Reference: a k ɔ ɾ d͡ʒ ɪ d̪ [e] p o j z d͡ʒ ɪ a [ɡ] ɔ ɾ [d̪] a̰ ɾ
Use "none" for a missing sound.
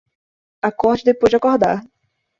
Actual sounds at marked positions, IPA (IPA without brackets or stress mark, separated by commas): e, k, d̪